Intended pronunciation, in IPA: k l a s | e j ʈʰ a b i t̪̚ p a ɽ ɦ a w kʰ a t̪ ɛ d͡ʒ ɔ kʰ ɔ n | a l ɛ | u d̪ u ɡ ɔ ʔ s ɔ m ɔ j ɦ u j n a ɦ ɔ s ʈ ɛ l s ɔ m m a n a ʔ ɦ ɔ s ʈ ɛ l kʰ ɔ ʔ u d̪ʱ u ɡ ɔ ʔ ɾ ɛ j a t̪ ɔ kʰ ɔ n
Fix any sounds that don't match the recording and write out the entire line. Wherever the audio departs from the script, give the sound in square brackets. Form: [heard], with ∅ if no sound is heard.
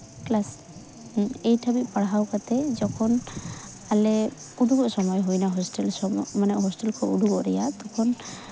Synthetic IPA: k l a s | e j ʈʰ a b i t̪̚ p a ɽ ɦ a w [k] a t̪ ɛ d͡ʒ ɔ kʰ ɔ n | a l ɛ | u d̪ u ɡ ɔ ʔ s ɔ m ɔ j ɦ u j n a ɦ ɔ s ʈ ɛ l s ɔ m m a n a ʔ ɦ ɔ s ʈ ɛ l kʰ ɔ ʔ u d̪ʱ u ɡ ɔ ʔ ɾ ɛ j a t̪ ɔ kʰ ɔ n